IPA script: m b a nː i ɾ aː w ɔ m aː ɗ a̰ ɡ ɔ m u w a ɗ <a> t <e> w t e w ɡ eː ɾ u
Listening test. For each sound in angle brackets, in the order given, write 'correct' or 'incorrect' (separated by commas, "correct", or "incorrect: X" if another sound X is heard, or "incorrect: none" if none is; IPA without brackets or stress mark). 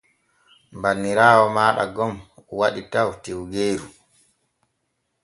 incorrect: i, incorrect: a